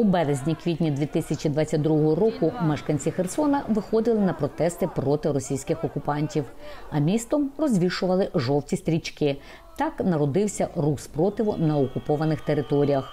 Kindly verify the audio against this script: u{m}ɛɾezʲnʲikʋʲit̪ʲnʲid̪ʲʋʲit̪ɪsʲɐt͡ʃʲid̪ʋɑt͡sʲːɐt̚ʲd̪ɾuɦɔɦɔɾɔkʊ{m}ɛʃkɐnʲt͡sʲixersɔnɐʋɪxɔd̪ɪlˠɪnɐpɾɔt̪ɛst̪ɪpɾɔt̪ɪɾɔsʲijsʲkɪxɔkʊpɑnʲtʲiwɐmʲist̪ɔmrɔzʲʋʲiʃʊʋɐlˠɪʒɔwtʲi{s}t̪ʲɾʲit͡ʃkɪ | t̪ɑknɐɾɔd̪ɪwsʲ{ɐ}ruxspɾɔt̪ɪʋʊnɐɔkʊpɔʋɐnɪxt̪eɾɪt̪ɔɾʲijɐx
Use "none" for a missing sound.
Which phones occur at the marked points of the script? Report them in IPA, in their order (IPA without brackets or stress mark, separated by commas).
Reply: b, m, s, ɐ